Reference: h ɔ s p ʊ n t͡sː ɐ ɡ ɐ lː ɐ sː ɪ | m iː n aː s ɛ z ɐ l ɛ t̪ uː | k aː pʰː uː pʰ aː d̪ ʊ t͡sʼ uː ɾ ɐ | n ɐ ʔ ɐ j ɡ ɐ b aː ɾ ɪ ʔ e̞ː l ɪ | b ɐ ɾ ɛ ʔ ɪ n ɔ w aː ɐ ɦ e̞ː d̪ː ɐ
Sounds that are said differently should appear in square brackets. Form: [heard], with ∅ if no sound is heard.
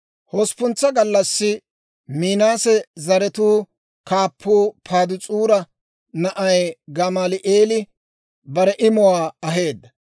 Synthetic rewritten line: h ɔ s p ʊ n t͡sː ɐ ɡ ɐ lː ɐ sː ɪ | m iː n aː s ɛ z ɐ [ɾ] ɛ t̪ uː | k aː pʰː uː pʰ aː d̪ ʊ t͡sʼ uː ɾ ɐ | n ɐ ʔ ɐ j ɡ ɐ [m] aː [l] ɪ ʔ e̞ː l ɪ | b ɐ ɾ ɛ ʔ ɪ [m] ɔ w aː ɐ ɦ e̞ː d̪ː ɐ